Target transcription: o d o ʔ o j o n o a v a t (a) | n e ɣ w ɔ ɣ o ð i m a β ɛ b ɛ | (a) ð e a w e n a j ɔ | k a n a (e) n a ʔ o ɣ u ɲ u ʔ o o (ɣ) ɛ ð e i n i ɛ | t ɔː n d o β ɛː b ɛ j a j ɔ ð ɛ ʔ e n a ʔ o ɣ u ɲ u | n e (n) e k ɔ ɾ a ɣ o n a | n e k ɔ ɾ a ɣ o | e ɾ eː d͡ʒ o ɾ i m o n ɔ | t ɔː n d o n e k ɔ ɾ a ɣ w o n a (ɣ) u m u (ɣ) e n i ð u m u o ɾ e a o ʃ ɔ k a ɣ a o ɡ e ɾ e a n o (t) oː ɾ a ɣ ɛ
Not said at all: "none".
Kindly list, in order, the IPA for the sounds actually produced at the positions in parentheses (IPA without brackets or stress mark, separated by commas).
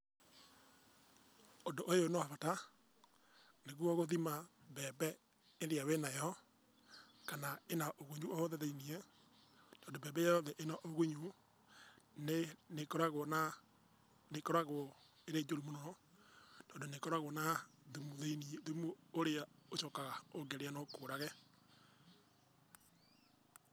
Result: a, e, e, ð, n, ð, ð, k